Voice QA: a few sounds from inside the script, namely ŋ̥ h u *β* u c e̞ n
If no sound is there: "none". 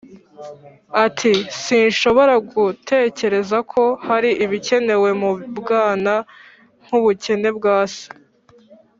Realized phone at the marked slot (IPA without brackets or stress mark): β